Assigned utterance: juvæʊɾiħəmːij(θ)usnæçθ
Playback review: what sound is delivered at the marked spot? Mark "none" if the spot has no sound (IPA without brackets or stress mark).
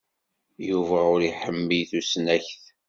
θ